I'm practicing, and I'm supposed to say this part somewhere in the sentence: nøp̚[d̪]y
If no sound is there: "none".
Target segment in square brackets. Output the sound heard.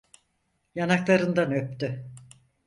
t̪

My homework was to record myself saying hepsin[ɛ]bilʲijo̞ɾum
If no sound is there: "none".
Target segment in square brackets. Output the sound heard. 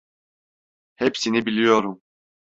i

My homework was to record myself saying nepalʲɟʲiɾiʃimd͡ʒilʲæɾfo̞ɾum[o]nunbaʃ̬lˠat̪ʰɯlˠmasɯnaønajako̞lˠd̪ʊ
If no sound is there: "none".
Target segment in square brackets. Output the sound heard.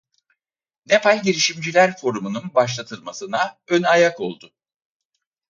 u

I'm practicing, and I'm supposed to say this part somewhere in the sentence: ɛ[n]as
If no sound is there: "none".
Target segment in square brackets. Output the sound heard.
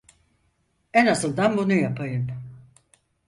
n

